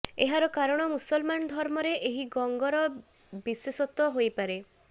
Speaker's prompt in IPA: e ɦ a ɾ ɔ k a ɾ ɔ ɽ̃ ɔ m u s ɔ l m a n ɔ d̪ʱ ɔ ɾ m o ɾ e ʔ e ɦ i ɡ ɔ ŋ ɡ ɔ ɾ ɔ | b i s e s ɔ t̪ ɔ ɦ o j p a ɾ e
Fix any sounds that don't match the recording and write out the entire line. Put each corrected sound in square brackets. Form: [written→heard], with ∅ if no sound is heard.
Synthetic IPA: e ɦ a ɾ ɔ k a ɾ ɔ ɽ̃ ɔ m u s ɔ l m a n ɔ d̪ʱ ɔ ɾ m [o→ɔ] ɾ e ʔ e ɦ i ɡ ɔ ŋ ɡ ɔ ɾ ɔ | b i s e s ɔ t̪ ɔ ɦ o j p a ɾ e